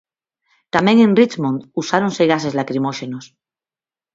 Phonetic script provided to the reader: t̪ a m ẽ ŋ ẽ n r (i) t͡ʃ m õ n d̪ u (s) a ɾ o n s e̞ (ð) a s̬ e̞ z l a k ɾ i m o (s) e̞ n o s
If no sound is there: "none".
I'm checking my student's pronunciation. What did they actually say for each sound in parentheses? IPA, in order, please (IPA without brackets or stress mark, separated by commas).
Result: i, s, ɣ, ʃ